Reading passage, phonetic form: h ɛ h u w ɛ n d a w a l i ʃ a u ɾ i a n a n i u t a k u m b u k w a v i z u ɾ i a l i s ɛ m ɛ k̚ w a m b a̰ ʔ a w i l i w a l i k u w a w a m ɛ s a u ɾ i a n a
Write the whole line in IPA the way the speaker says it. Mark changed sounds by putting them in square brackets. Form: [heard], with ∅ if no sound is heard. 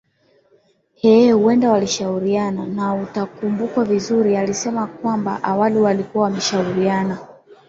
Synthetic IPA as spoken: h ɛ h u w ɛ n d a w a l i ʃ a u ɾ i a n a n [a] u t a k u m b u k w a v i z u ɾ i a l i s ɛ m [a] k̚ w a m b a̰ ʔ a w [a] l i w a l i k u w a w a m ɛ [ʃ] a u ɾ i a n a